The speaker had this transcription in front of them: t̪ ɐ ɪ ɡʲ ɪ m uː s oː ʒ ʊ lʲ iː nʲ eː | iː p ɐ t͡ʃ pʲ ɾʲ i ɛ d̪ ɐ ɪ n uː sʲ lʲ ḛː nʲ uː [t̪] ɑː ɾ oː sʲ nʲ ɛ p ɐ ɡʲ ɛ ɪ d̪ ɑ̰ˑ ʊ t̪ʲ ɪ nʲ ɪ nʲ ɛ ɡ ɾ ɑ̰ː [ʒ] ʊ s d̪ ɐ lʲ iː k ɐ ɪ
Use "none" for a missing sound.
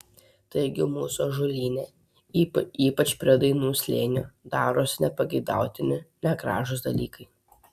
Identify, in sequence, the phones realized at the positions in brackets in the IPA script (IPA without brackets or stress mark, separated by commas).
d̪, ʒ